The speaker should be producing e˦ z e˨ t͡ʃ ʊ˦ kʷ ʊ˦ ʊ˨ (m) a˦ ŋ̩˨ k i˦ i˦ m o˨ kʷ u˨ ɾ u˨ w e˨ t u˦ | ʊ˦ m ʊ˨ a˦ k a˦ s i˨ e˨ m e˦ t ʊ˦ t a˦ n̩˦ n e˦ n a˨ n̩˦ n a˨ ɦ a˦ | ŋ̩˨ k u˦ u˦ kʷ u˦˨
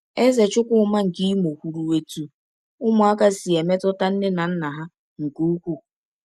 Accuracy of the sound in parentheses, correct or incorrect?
correct